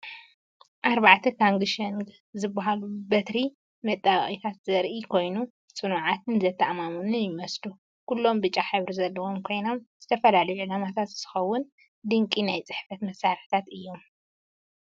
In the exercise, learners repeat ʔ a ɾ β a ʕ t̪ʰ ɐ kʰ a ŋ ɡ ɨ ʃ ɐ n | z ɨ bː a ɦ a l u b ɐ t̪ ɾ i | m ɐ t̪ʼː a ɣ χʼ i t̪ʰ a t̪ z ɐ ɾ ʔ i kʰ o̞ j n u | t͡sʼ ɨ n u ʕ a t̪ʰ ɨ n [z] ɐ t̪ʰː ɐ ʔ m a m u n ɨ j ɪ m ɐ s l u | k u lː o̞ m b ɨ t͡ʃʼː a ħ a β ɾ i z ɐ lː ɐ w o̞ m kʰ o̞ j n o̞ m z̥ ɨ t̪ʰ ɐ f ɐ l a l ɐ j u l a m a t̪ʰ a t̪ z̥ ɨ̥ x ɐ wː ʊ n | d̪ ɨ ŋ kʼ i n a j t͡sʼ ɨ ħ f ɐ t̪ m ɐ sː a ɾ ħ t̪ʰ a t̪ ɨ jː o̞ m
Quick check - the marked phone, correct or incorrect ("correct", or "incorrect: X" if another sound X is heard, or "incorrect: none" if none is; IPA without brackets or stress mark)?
correct